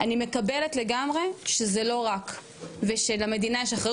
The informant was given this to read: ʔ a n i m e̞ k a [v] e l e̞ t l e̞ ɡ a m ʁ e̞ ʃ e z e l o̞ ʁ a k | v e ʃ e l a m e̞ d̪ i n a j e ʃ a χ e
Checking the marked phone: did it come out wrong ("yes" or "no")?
yes